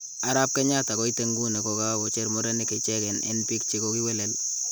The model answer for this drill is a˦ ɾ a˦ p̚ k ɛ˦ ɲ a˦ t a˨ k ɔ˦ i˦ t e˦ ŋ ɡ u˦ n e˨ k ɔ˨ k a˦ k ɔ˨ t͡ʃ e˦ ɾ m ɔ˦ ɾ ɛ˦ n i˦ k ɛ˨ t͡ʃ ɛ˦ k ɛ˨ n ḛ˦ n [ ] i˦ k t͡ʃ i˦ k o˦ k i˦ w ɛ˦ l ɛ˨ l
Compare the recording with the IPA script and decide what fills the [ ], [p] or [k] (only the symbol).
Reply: p